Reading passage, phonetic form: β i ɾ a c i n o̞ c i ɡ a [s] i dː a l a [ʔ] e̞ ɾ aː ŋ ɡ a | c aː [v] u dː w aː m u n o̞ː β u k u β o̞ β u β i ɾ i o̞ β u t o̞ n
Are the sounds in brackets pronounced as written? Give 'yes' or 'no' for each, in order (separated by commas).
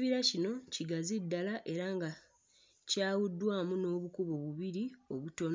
no, yes, no